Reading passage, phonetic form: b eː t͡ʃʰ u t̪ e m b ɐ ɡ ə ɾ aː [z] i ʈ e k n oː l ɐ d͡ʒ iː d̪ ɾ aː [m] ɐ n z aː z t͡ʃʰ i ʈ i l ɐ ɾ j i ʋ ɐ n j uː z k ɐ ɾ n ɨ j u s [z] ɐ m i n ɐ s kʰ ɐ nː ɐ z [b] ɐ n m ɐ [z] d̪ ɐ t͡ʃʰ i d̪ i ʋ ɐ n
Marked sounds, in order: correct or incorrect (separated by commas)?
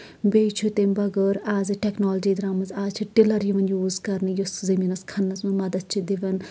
correct, correct, correct, incorrect, incorrect